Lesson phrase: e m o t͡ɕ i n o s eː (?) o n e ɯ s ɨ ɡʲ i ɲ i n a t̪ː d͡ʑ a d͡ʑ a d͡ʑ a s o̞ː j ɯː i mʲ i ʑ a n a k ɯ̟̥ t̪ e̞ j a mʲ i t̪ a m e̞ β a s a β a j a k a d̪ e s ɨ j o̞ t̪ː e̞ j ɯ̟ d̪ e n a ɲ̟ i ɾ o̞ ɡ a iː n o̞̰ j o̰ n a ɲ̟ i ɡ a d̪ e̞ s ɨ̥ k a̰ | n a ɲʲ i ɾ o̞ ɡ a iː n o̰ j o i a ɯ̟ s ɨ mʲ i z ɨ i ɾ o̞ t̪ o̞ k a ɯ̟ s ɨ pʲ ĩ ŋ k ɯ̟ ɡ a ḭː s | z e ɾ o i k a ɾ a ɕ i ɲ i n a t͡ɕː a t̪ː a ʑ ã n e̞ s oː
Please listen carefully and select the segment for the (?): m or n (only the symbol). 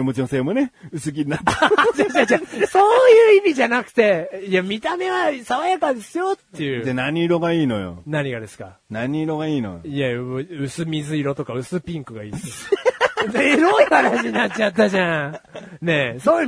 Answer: m